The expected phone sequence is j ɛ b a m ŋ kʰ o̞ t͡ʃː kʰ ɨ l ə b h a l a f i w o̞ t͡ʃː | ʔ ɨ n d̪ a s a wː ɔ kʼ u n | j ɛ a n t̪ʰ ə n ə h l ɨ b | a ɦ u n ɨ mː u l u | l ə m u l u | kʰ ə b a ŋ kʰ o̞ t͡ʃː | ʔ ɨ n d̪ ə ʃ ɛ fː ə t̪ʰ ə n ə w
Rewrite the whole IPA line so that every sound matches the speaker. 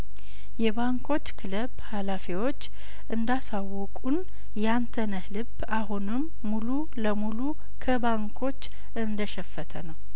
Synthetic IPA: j ɛ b a ŋ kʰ o̞ t͡ʃː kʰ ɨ l ə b h a l a f i w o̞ t͡ʃː | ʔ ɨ n d̪ a s a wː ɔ kʼ u n | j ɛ a n t̪ʰ ə n ə h l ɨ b | a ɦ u n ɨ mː u l u | l ə m u l u | kʰ ə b a ŋ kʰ o̞ t͡ʃː | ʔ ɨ n d̪ ə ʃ ɛ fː ə t̪ʰ ə n ə w